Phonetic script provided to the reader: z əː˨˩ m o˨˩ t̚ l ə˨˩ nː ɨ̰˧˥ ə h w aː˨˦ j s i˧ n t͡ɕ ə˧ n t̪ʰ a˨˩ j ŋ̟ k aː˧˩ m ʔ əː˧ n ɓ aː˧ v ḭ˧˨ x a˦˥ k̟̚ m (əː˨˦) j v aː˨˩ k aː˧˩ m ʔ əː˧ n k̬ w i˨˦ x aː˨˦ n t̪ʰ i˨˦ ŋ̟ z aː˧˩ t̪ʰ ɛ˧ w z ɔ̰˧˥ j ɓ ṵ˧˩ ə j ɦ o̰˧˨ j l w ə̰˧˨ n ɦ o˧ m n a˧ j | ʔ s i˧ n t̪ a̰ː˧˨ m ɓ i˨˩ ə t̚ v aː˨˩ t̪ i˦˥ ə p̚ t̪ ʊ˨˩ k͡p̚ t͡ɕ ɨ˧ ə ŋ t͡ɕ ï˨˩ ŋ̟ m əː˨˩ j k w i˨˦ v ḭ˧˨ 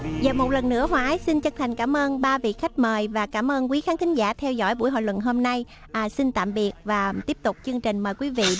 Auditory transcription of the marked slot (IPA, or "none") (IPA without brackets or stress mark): əː˨˩